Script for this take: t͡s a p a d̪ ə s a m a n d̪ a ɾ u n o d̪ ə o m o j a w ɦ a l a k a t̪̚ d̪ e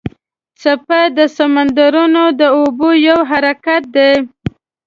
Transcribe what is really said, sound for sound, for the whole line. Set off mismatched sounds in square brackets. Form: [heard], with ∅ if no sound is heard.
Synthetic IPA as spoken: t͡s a p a d̪ ə s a m a n d̪ a ɾ u n o d̪ ə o [b] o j a w ɦ a [ɾ] a k a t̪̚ d̪ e